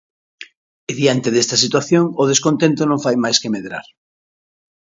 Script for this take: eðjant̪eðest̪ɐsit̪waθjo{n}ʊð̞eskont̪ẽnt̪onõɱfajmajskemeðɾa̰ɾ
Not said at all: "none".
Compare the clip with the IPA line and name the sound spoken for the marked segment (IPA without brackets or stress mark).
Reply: ŋ